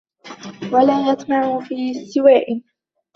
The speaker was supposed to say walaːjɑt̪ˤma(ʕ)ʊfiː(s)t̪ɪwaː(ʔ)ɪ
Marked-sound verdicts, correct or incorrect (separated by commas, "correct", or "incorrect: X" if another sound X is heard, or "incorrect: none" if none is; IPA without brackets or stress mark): correct, correct, correct